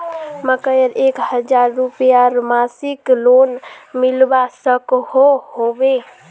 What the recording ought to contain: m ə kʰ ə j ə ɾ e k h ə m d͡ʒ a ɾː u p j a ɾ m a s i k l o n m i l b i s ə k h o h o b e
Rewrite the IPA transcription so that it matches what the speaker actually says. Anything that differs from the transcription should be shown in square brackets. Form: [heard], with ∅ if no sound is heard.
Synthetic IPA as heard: m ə [k] ə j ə ɾ e k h ə [∅] d͡ʒ a ɾː u p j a ɾ m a s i k l o n m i l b [a] s ə k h o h o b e